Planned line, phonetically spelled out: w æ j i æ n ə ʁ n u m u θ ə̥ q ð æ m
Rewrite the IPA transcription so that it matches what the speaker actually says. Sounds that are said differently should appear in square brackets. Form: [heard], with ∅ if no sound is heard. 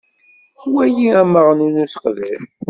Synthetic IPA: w æ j i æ [m] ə ʁ n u [n] u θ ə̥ q ð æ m